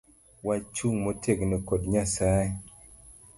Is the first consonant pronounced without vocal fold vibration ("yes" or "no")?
no